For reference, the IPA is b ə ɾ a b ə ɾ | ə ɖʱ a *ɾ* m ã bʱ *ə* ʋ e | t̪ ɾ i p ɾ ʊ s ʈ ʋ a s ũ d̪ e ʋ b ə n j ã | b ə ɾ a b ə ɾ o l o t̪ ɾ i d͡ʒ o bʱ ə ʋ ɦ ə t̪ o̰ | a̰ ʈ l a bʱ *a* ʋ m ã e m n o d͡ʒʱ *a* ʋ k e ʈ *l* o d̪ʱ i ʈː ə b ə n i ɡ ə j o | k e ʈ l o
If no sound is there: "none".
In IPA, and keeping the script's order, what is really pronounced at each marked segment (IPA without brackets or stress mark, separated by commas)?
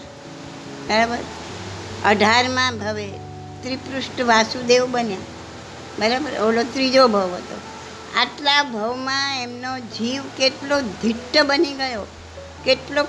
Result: ɾ, ə, ə, i, l